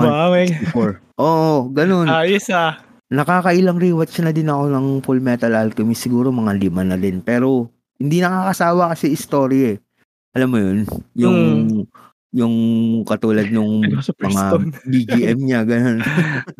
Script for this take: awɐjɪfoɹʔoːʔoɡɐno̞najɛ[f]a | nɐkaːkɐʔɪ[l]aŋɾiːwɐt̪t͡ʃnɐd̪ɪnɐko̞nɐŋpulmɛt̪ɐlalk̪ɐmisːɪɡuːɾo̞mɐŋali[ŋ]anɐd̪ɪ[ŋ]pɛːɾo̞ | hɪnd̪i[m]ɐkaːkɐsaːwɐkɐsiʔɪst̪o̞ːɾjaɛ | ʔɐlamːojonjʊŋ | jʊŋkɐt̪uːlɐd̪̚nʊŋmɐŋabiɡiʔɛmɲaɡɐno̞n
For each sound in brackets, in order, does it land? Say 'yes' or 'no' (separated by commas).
no, yes, no, no, no